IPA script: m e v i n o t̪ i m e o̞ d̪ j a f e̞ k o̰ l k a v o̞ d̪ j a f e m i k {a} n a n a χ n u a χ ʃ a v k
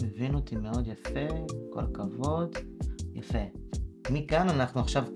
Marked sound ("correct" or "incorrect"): correct